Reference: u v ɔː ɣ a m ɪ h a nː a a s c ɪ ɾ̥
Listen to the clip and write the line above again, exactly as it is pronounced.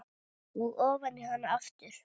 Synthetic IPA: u ɣ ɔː v a n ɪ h a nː a a f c ɪ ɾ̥